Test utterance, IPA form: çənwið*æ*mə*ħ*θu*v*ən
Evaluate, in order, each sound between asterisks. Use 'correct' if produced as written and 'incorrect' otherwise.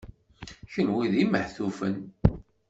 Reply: incorrect: i, correct, incorrect: f

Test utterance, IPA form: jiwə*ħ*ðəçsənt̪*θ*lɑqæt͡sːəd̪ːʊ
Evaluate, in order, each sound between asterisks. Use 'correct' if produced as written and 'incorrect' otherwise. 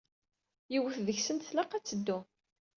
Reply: incorrect: θ, correct

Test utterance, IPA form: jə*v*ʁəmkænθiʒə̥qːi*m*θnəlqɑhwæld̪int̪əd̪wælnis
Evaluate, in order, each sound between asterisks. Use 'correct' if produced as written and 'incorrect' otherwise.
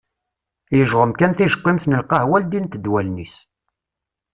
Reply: incorrect: ʒ, correct

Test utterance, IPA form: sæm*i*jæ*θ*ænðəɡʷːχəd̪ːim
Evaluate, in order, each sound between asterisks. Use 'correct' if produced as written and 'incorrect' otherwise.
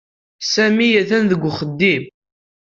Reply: correct, correct

